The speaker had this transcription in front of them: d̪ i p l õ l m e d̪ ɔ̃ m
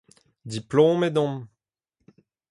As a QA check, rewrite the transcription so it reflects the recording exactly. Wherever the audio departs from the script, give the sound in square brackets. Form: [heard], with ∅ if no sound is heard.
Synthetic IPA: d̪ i p l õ [∅] m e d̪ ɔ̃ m